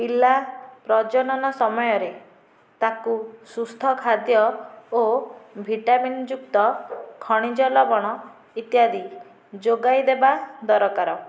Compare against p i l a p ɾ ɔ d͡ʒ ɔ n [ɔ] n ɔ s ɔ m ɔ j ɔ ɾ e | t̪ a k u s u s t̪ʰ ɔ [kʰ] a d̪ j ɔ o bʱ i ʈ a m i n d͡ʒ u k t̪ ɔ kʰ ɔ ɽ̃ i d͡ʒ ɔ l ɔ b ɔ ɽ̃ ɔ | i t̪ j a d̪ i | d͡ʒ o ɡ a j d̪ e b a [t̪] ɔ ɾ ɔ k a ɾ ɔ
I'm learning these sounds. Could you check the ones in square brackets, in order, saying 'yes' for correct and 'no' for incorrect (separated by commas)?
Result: yes, yes, no